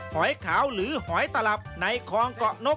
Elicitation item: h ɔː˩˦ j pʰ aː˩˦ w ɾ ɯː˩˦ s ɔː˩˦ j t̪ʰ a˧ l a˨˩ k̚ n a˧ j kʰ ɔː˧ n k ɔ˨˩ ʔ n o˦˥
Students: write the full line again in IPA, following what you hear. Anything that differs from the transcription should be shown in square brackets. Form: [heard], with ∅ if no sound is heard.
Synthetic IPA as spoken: h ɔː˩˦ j [kʰ] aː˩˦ w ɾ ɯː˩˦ [h] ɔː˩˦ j [t̪] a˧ l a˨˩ [p̚] n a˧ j kʰ ɔː˧ [ŋ] k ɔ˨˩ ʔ n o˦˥